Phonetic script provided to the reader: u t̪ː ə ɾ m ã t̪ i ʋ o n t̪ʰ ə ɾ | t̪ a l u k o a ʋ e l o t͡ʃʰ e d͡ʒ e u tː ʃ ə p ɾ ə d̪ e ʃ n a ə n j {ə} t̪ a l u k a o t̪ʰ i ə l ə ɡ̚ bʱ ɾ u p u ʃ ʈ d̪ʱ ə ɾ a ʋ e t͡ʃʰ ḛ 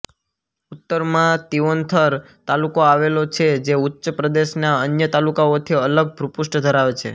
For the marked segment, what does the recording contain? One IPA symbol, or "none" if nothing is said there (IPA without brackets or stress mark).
ə